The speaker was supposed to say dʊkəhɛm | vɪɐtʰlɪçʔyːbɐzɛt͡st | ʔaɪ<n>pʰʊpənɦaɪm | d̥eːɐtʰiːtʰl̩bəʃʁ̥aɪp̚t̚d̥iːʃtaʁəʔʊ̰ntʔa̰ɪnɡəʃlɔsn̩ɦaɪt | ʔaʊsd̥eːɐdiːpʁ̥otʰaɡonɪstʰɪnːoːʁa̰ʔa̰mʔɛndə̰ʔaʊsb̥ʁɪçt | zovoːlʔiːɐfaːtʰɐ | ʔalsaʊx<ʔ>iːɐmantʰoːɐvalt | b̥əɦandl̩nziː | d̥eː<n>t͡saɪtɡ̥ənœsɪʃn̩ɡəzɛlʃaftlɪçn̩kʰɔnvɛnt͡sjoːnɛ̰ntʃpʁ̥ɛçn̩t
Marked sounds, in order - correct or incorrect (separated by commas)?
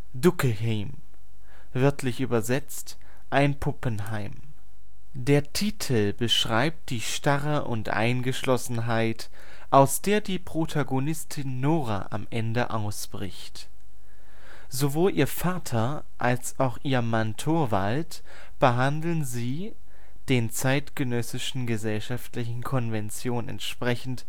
correct, correct, correct